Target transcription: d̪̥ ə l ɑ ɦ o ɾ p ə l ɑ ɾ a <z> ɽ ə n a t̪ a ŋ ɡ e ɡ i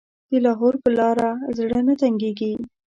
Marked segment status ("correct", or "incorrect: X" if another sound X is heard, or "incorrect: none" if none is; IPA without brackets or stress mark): correct